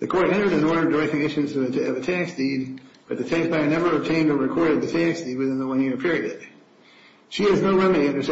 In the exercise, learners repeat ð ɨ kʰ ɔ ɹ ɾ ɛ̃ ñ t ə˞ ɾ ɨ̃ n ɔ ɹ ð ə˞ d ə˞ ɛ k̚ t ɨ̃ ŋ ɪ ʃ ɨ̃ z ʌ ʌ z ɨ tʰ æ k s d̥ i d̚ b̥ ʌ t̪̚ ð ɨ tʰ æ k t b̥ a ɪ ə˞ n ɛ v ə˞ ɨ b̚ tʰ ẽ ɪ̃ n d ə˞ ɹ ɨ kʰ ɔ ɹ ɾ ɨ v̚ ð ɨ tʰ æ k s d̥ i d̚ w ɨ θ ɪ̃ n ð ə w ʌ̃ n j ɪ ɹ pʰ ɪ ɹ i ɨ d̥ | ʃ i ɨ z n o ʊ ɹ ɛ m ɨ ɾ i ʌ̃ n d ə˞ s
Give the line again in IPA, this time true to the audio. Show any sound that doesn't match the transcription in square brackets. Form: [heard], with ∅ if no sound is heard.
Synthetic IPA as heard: ð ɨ kʰ ɔ ɹ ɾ ɛ̃ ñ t ə˞ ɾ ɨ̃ n ɔ ɹ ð ə˞ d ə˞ ɛ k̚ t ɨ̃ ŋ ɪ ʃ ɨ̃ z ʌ ʌ [v] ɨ tʰ æ k s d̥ i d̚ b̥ ʌ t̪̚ ð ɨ tʰ æ k [s] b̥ a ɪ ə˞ n ɛ v ə˞ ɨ b̚ tʰ ẽ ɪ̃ n d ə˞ ɹ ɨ kʰ ɔ ɹ ɾ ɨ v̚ ð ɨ tʰ æ k s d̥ i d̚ w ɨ θ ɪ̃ n ð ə w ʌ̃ n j ɪ ɹ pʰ ɪ ɹ i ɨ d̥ | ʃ i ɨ z n o ʊ ɹ ɛ m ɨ ɾ i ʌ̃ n d ə˞ s